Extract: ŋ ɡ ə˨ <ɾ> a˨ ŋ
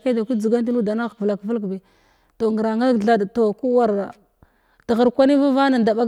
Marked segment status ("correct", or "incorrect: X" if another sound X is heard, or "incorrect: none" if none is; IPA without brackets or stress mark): correct